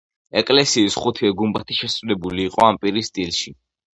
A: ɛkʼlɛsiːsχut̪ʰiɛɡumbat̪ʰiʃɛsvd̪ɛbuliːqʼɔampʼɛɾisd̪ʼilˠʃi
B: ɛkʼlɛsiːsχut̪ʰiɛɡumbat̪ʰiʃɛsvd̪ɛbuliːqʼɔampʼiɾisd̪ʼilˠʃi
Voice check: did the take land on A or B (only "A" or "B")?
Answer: B